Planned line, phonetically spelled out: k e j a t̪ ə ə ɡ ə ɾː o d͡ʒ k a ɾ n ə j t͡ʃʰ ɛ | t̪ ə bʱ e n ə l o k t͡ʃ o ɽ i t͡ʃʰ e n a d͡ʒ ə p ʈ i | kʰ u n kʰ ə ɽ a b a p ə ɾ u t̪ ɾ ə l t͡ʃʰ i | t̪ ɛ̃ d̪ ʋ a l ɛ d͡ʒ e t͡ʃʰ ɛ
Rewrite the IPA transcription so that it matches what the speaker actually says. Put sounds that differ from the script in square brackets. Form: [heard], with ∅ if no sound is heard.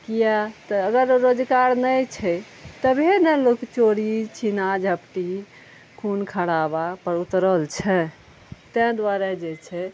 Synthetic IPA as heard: k [i] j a t̪ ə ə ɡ ə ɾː o d͡ʒ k a ɾ n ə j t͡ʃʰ ɛ | t̪ ə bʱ e n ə l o k t͡ʃ o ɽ i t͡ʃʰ [i] n a d͡ʒ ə p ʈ i | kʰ u n kʰ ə ɽ a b a p ə ɾ u t̪ ɾ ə l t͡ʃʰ [ɛ] | t̪ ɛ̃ d̪ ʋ a [ɾ] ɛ d͡ʒ e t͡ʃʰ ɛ

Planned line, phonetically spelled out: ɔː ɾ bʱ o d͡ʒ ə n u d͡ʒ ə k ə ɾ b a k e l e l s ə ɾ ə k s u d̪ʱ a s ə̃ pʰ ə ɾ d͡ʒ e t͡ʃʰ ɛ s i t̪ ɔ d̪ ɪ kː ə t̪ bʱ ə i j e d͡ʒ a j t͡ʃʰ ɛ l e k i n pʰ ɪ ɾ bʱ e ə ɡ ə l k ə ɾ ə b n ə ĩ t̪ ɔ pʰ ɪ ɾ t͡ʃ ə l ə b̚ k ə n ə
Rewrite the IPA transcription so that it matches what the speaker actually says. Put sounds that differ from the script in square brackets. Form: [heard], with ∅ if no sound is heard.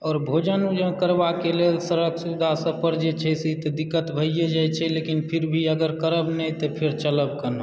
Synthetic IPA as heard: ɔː ɾ bʱ o d͡ʒ ə n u d͡ʒ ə k ə ɾ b a k e l e l s ə ɾ ə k s u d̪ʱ a s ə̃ [p] ə ɾ d͡ʒ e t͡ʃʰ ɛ s i t̪ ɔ d̪ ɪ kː ə t̪ bʱ ə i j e d͡ʒ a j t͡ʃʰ ɛ l e k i n pʰ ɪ ɾ bʱ [i] ə ɡ ə [ɾ] k ə ɾ ə b n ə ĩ t̪ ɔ pʰ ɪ ɾ t͡ʃ ə l ə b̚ k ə n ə

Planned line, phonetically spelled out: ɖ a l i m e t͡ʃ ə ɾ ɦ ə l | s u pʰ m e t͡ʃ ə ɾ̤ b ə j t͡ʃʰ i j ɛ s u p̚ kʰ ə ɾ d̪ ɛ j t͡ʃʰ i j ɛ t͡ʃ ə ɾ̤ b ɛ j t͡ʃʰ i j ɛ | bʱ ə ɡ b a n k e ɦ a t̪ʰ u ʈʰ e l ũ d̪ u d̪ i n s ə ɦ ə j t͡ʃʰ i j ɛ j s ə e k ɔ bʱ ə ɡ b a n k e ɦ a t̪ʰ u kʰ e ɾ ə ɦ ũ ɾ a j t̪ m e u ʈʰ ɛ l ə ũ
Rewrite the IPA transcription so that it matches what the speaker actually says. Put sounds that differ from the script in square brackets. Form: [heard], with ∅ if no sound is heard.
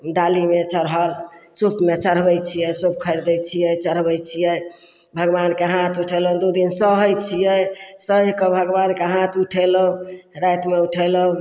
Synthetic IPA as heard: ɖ a l i m e t͡ʃ ə ɾ ɦ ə l | s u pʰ m e t͡ʃ ə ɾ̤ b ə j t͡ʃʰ i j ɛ s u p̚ kʰ ə ɾ d̪ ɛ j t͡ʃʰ i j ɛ t͡ʃ ə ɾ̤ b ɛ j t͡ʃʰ i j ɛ | bʱ ə ɡ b a n k e ɦ a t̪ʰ u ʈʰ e l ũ d̪ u d̪ i n s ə ɦ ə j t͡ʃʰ i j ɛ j s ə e k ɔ bʱ ə ɡ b a n k e ɦ a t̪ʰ u [ʈʰ] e [l] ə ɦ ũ ɾ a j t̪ m e u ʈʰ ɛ l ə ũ

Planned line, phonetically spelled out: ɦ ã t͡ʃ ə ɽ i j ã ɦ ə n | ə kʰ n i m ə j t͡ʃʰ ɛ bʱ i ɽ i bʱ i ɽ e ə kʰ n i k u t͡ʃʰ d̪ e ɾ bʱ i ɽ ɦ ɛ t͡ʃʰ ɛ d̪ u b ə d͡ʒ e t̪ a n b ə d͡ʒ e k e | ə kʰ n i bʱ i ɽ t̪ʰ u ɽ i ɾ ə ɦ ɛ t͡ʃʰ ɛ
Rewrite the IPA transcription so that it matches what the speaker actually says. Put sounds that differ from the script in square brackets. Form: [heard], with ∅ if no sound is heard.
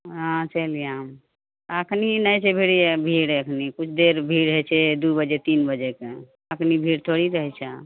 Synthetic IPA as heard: ɦ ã t͡ʃ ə [l] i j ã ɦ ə [m] | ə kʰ n i [n] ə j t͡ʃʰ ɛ bʱ i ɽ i bʱ i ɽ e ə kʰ n i k u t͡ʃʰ d̪ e ɾ bʱ i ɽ ɦ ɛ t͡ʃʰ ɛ d̪ u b ə d͡ʒ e t̪ [i] n b ə d͡ʒ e k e | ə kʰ n i bʱ i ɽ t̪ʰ [o] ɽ i ɾ ə ɦ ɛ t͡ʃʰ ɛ

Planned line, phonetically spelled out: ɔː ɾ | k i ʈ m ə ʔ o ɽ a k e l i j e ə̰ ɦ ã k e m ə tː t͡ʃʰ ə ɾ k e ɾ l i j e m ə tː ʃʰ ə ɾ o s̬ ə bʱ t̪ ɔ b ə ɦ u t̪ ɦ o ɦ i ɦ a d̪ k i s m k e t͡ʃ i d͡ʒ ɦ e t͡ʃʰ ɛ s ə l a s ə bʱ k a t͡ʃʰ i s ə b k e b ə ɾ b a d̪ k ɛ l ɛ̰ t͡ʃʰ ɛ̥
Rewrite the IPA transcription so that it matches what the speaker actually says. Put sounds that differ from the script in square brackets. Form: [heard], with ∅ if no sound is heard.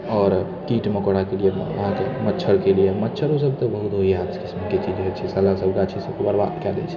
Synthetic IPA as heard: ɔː ɾ | k i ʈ m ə [k] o ɽ a k e l i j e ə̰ ɦ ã k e m ə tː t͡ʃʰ ə ɾ k e [∅] l i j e m ə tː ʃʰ ə ɾ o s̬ ə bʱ t̪ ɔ b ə ɦ u t̪ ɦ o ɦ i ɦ a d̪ k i s m k e t͡ʃ i d͡ʒ ɦ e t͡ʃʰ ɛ s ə l a s ə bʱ k a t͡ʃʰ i s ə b k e b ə ɾ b a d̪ k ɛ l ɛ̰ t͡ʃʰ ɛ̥

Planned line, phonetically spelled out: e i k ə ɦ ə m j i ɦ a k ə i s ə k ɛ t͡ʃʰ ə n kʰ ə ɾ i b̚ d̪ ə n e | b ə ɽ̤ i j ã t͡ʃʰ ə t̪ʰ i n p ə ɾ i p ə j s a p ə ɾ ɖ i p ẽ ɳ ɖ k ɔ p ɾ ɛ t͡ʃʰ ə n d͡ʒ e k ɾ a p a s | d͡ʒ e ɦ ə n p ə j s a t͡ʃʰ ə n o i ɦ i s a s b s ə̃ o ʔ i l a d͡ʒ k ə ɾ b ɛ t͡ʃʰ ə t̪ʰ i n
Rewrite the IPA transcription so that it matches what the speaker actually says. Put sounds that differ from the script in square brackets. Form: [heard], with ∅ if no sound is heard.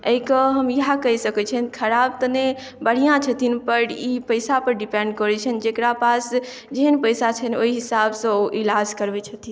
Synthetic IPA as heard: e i k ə ɦ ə m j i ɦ a k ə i s ə k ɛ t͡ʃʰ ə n kʰ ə ɾ [a] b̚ [t̪] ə n e | b ə ɽ̤ i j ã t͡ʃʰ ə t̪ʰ i n p ə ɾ i p ə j s a p ə ɾ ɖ i p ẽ ɳ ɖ k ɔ [∅] ɾ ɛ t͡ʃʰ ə n d͡ʒ e k ɾ a p a s | d͡ʒ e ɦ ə n p ə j s a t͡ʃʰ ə n o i ɦ i s a [∅] b s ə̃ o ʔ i l a d͡ʒ k ə ɾ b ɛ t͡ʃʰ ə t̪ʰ i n

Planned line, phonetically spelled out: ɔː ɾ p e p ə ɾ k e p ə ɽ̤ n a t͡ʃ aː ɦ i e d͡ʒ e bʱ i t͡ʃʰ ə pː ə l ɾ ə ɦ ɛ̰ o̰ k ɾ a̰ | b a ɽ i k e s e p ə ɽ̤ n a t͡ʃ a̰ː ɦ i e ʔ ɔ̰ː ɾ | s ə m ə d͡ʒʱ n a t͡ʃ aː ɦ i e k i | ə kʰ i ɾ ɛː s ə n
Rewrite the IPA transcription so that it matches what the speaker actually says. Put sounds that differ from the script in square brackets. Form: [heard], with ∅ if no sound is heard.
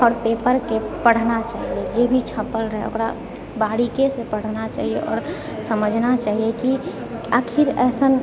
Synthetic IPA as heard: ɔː ɾ p e p ə ɾ k e p ə ɽ̤ n a t͡ʃ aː ɦ i e d͡ʒ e bʱ i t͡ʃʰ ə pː ə l ɾ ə ɦ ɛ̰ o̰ k ɾ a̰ | b a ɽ i k e s e p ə ɽ̤ n a t͡ʃ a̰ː ɦ i e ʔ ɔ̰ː ɾ | s ə m ə d͡ʒʱ n a t͡ʃ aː ɦ i e k i | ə kʰ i ɾ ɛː s ə n

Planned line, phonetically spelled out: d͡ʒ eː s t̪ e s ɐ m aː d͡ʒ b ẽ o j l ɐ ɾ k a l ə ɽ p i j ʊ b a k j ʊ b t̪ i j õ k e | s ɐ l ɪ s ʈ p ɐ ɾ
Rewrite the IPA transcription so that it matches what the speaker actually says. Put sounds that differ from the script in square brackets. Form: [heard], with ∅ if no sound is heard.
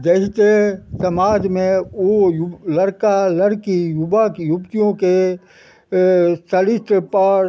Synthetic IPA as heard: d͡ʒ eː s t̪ e s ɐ m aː d͡ʒ [m] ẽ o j l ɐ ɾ k a l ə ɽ [k] i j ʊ b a k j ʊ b t̪ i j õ k e | s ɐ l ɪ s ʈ p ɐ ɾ

